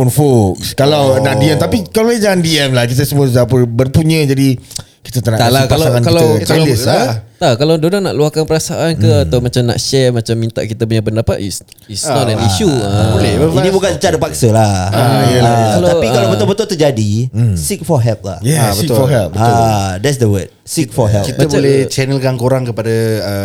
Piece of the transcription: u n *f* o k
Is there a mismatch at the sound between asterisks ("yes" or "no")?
no